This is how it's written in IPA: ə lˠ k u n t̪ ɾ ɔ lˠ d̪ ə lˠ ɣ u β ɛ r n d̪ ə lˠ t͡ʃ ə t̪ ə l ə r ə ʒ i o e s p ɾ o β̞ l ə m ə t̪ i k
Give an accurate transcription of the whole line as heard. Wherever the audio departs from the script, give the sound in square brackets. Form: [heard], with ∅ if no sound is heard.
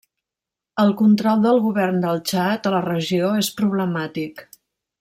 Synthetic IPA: ə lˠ k u n t̪ ɾ ɔ lˠ d̪ ə lˠ ɣ u β ɛ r n d̪ ə lˠ t͡ʃ [a] t̪ ə l ə r ə ʒ i o e s p ɾ [u] β̞ l ə m [a] t̪ i k